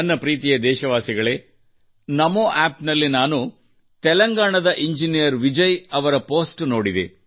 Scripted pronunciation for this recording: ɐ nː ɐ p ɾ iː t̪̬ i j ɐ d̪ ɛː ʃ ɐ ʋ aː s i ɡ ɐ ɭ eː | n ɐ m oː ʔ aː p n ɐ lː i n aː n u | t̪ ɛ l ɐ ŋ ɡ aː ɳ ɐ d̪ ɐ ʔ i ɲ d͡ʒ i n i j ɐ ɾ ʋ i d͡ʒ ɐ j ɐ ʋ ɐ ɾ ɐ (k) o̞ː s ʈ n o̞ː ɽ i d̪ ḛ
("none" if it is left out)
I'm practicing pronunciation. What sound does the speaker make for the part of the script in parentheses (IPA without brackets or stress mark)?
p